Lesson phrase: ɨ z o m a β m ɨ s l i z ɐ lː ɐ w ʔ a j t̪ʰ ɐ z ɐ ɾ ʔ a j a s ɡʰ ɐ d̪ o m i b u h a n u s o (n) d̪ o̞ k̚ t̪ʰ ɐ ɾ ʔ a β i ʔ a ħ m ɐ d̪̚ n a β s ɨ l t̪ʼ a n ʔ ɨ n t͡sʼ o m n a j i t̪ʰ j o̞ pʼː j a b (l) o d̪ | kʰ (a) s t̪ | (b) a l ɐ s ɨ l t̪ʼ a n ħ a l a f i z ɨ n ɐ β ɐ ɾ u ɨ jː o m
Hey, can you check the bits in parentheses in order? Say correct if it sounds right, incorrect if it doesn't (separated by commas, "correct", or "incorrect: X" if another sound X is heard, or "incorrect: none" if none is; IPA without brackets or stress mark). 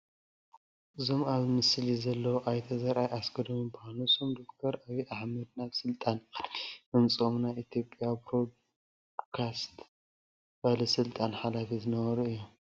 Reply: incorrect: m, incorrect: ɾ, correct, correct